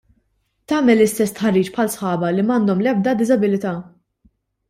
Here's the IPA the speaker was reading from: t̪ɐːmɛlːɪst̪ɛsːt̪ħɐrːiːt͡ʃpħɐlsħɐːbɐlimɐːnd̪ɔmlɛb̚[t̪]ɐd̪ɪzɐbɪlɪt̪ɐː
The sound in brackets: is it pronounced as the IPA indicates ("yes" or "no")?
no